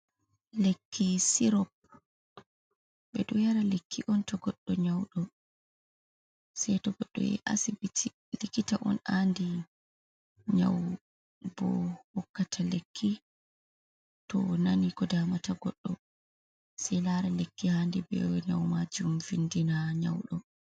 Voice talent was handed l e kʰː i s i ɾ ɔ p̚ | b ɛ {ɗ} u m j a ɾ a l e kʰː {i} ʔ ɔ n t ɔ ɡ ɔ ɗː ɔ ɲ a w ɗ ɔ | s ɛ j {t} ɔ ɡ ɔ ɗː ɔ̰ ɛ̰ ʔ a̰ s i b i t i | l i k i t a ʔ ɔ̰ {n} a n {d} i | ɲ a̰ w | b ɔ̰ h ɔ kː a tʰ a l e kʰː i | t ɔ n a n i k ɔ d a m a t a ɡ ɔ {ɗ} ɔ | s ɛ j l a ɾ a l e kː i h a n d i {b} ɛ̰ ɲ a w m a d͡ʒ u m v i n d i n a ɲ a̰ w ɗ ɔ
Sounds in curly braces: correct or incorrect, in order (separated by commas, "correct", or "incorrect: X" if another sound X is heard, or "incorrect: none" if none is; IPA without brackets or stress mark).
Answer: correct, correct, correct, correct, correct, incorrect: ɗː, correct